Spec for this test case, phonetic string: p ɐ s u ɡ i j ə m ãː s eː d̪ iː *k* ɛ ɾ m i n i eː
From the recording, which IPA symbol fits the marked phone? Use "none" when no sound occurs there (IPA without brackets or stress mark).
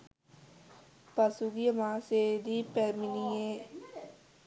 p